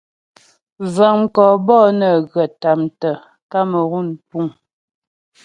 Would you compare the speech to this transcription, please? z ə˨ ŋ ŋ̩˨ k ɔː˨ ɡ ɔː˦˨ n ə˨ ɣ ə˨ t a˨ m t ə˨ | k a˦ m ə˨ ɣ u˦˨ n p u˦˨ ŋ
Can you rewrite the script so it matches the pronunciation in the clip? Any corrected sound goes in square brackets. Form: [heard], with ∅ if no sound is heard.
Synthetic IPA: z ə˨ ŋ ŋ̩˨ k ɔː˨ [b] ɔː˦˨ n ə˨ ɣ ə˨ t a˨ m t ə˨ | k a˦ m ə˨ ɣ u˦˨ n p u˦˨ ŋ